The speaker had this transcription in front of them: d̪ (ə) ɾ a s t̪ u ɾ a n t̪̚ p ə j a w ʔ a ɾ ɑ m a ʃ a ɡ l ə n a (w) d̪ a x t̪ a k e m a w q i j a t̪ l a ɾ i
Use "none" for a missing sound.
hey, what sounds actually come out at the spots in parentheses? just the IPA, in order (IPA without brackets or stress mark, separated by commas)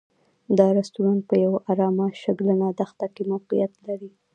ɑ, none